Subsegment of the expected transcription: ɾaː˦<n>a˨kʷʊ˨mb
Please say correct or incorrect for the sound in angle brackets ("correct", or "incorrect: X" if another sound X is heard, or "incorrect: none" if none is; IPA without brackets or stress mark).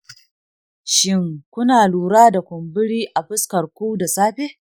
incorrect: d